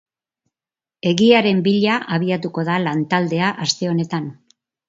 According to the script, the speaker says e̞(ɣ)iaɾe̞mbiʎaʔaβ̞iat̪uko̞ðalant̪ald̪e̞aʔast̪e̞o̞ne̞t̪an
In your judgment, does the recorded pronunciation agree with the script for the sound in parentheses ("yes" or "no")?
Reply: yes